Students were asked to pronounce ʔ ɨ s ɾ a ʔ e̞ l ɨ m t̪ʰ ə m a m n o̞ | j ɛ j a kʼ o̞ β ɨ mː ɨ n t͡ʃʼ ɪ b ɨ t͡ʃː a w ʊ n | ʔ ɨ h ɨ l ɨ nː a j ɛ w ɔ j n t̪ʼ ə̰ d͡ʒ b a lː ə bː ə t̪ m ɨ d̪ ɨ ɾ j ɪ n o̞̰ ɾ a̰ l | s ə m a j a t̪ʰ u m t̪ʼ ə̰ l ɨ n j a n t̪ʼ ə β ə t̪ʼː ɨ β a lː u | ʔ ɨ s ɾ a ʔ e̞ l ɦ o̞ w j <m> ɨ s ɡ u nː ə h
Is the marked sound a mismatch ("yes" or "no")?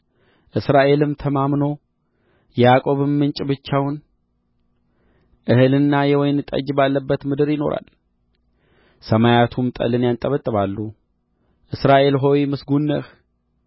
no